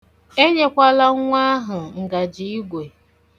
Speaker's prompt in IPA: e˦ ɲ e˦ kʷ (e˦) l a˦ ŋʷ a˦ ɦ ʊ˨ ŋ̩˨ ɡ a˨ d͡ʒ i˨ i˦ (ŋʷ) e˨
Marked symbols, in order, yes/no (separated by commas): no, no